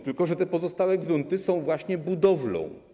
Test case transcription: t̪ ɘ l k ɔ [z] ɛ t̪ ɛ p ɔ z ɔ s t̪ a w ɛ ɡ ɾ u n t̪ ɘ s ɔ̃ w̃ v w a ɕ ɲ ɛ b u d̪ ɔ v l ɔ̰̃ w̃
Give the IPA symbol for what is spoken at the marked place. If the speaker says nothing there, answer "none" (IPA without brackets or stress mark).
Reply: ʐ